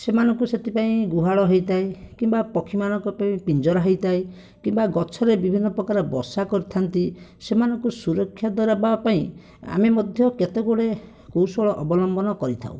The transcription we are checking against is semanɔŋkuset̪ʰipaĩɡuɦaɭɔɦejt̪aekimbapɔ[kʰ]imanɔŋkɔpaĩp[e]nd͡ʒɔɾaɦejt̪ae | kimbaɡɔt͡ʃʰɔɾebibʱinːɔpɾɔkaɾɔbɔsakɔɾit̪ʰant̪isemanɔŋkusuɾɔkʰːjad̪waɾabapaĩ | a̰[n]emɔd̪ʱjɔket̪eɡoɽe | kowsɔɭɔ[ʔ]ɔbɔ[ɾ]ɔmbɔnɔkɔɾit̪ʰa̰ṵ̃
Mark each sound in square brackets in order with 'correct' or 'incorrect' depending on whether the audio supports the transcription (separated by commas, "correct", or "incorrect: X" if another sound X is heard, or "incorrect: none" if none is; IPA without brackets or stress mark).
correct, incorrect: i, incorrect: m, correct, incorrect: l